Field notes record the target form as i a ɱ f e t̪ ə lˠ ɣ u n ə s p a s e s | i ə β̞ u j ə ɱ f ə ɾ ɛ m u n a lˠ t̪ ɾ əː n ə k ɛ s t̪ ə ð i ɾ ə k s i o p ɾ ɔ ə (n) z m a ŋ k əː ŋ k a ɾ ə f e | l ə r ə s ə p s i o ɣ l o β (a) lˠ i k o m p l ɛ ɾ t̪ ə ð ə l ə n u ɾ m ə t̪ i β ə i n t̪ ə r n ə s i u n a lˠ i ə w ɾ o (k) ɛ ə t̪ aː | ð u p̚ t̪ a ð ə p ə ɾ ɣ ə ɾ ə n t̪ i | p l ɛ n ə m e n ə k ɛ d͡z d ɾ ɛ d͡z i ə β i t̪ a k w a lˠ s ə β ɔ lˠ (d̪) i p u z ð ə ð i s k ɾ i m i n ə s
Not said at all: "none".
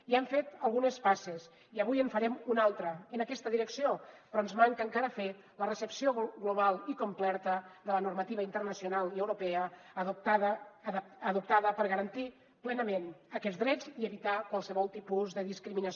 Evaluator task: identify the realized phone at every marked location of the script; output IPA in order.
n, a, p, t̪

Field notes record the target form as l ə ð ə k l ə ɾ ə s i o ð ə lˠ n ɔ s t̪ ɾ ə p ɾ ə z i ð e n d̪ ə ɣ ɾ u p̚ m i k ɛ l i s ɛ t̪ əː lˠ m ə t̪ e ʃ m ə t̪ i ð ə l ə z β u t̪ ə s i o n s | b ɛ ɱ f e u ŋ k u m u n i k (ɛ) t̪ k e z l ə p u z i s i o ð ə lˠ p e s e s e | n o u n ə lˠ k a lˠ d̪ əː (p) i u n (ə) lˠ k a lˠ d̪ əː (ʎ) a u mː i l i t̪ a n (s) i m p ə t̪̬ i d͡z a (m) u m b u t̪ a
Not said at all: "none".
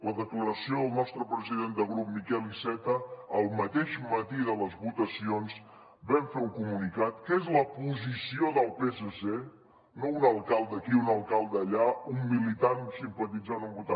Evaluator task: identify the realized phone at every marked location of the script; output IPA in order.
a, k, ə, ʎ, s, n

